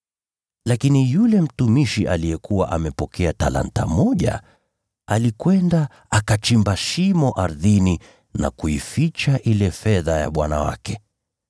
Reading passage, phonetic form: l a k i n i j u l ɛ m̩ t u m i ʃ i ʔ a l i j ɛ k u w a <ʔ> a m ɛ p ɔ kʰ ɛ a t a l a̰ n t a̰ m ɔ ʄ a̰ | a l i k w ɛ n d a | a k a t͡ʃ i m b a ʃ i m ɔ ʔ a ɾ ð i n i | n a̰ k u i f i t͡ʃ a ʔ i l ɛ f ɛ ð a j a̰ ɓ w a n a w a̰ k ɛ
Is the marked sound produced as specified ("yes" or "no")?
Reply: yes